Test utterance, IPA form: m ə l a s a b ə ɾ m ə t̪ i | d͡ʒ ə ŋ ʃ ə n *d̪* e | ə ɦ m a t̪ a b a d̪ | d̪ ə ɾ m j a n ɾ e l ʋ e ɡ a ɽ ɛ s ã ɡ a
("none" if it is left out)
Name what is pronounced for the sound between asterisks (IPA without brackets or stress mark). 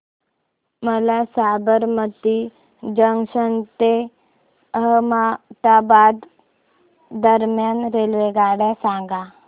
t̪